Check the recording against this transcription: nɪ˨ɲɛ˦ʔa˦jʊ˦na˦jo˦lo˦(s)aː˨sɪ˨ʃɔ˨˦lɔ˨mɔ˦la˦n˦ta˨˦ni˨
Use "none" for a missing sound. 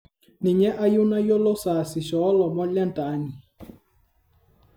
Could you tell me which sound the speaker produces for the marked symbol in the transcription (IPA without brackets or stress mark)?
s